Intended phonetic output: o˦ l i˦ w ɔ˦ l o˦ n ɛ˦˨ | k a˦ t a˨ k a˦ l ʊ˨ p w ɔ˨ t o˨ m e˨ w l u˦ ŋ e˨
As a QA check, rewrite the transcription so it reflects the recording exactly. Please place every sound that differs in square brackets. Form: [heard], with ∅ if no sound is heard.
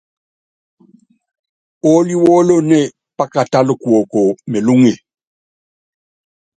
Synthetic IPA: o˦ l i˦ w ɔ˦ l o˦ n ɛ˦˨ | [p] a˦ [k] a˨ [t] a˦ l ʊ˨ [k] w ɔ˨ [k] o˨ m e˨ [∅] l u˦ ŋ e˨